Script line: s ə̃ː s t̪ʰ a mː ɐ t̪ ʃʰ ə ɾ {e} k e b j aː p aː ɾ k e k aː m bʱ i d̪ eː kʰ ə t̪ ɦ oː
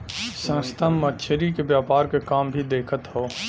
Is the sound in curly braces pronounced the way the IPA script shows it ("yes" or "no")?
no